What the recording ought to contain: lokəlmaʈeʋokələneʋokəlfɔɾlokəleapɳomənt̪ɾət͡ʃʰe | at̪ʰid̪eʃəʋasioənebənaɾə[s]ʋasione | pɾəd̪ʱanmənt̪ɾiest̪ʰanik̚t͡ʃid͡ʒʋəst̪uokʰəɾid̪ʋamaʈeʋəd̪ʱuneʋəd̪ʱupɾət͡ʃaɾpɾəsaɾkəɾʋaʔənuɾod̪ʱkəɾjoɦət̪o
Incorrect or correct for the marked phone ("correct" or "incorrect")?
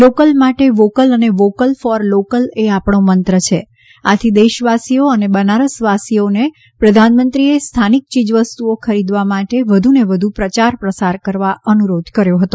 correct